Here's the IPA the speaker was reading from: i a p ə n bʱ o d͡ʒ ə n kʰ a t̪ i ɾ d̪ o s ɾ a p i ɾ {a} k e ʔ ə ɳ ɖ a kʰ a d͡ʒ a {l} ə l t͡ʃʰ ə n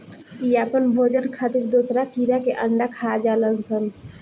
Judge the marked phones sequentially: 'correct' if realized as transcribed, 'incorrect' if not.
correct, correct

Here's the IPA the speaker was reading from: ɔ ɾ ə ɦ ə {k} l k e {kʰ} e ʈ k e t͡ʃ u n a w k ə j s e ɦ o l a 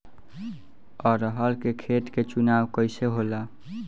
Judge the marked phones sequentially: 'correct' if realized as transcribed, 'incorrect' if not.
incorrect: none, correct

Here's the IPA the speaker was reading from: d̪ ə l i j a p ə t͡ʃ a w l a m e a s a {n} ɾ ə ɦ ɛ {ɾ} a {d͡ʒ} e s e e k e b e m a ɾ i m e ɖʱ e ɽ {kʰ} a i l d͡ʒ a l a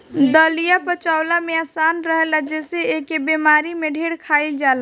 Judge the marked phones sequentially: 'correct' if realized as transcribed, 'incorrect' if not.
correct, incorrect: l, correct, correct

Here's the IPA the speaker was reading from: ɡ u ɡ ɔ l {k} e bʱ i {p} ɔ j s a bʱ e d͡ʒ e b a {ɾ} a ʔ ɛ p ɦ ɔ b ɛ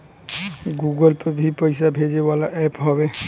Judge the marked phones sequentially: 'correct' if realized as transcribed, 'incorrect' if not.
incorrect: p, correct, incorrect: l

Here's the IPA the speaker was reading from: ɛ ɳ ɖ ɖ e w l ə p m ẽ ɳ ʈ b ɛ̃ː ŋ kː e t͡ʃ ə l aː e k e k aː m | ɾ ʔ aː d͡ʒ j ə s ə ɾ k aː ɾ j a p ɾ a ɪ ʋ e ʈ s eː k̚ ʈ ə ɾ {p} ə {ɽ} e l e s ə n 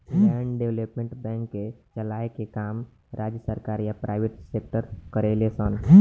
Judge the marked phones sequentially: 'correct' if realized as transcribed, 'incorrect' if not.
incorrect: k, incorrect: ɾ

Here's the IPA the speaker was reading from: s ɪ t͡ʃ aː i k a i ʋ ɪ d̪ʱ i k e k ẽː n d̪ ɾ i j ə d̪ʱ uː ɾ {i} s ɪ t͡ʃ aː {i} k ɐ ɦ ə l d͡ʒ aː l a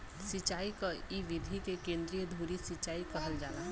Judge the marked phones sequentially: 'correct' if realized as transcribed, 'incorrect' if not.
correct, correct

